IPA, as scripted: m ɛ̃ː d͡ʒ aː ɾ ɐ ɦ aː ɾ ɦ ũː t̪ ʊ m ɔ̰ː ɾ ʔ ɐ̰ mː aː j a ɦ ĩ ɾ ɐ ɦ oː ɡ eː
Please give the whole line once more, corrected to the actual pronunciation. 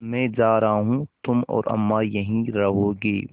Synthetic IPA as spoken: m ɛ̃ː d͡ʒ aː ɾ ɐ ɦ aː ɦ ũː t̪ ʊ m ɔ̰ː ɾ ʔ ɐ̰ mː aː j ɐ ɦ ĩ ɾ ɐ ɦ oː ɡ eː